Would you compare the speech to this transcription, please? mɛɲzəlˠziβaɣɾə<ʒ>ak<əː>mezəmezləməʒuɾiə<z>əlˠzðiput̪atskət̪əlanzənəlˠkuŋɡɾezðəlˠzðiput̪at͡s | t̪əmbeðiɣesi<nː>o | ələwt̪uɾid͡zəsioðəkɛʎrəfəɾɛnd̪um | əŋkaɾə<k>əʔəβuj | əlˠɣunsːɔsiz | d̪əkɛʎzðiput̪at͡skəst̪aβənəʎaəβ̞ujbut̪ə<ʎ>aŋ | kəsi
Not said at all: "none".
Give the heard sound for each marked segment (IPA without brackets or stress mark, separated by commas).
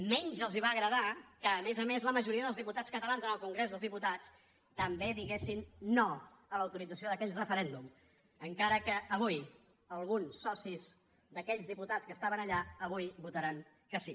ð, əː, ð, nː, k, ɾ